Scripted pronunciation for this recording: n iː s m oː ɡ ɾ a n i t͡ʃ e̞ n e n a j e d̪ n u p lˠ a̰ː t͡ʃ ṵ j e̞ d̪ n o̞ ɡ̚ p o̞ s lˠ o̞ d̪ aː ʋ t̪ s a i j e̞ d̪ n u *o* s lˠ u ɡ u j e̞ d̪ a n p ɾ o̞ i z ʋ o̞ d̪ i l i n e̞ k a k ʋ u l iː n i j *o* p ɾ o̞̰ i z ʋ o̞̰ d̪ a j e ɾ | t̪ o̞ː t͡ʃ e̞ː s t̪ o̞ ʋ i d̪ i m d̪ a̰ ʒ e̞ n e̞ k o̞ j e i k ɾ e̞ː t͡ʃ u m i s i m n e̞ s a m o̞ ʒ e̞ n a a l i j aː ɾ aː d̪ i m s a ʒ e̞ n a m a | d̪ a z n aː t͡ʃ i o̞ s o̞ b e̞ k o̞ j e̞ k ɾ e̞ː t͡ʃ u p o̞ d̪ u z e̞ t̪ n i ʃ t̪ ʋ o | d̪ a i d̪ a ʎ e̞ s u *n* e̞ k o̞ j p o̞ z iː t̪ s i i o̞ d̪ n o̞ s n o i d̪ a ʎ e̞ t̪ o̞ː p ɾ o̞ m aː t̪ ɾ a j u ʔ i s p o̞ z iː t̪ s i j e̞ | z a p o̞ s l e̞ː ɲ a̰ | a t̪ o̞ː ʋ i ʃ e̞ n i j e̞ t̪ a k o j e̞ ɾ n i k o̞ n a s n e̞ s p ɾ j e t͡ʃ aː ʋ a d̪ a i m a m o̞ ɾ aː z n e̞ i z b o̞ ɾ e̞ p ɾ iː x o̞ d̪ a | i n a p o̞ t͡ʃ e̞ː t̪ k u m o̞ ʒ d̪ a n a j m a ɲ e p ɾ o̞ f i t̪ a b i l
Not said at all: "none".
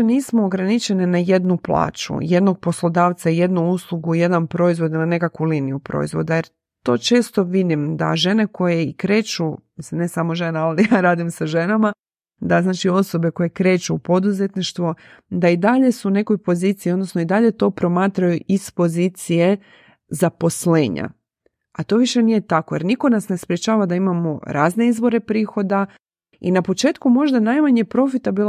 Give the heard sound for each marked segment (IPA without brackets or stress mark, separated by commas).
u, u, n